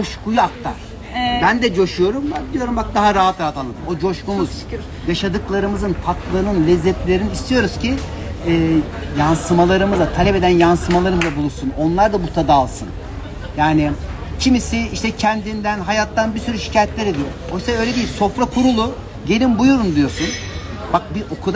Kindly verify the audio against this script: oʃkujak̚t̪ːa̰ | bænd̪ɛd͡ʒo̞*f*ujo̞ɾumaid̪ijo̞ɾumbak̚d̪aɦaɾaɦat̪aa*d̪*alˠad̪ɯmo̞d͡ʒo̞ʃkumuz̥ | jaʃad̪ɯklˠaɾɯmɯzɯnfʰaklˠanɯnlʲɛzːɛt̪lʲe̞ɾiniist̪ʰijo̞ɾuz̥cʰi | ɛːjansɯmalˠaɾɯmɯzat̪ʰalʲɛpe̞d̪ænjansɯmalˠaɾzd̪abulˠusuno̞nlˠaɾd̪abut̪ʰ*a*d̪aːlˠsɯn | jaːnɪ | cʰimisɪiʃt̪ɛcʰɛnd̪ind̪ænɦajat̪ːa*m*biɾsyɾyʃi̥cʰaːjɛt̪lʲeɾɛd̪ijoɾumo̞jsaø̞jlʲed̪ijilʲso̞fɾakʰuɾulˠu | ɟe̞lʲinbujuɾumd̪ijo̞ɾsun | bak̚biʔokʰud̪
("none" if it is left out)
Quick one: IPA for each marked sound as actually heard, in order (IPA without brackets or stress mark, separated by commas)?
ʃ, t̪, a, n